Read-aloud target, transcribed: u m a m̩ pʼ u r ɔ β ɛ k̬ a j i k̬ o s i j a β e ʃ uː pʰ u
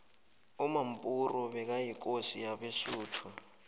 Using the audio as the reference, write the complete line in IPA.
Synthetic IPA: u m a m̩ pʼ u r ɔ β ɛ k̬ a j i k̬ o s i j a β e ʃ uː tʰ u